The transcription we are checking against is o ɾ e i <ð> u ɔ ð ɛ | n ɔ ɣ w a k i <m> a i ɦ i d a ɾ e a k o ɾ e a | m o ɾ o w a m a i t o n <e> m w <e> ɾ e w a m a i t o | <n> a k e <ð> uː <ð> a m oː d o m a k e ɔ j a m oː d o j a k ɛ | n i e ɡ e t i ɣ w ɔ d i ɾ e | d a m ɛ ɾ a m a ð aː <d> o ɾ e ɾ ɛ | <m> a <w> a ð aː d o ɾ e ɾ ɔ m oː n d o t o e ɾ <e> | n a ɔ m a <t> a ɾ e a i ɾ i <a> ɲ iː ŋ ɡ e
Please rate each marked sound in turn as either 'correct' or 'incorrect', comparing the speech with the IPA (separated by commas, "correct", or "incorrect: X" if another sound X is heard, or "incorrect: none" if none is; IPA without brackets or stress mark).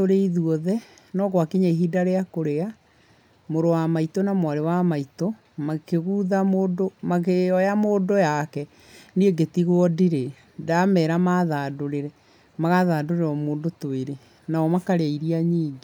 correct, incorrect: ɲ, incorrect: a, incorrect: a, incorrect: m, incorrect: ɣ, correct, correct, correct, incorrect: ɣ, correct, incorrect: k, correct